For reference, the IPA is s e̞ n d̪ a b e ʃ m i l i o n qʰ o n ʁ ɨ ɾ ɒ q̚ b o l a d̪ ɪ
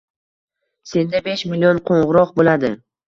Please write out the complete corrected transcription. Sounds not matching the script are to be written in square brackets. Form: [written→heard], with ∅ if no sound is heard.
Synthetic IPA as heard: s e̞ n d̪ a b e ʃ m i l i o n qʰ o [n→ɴ] ʁ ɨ ɾ ɒ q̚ b o l a d̪ ɪ